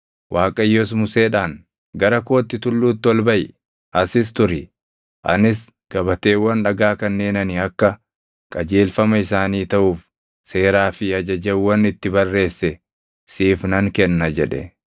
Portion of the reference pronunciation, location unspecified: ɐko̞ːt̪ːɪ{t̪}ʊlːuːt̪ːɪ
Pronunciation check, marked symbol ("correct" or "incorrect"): correct